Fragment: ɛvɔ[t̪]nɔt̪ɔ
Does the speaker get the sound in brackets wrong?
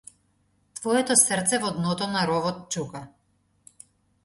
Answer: yes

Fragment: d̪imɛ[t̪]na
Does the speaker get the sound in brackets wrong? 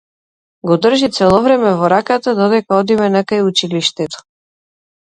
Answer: yes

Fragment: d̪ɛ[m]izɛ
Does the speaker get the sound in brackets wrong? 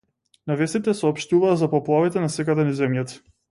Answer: yes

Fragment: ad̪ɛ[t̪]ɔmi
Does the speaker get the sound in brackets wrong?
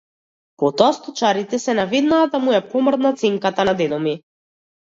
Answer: yes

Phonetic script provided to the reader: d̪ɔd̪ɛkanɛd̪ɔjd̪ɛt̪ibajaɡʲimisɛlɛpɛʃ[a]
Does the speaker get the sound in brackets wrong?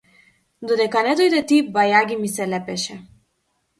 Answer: yes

